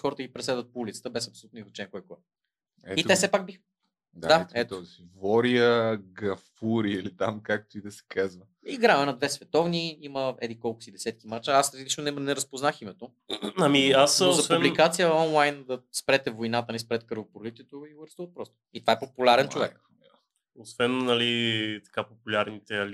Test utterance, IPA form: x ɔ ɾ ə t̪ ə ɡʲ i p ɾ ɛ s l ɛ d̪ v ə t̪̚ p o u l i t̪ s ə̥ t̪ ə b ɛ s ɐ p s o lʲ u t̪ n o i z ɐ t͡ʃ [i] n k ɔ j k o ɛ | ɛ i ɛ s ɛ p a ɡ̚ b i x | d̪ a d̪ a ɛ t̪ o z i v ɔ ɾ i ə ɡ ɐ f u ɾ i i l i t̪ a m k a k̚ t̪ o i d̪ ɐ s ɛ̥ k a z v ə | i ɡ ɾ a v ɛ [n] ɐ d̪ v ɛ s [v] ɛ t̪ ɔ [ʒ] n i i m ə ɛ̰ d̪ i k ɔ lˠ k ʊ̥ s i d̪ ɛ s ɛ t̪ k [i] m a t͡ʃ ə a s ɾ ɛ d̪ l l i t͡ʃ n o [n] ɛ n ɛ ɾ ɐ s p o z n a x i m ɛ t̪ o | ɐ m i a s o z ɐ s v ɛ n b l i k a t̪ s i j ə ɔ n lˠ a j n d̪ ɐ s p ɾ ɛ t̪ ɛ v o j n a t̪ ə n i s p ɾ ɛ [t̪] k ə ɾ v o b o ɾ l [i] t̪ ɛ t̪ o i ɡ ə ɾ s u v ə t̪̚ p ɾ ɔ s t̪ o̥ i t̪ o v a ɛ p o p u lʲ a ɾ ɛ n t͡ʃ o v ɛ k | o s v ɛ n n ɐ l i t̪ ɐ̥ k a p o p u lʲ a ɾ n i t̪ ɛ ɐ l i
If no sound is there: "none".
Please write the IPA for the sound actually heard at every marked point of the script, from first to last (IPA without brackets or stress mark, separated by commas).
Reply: ɛ, n, v, v, i, n, t̪, i